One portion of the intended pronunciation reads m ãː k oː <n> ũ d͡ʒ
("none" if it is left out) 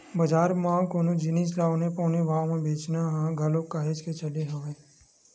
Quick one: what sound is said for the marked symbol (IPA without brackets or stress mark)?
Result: n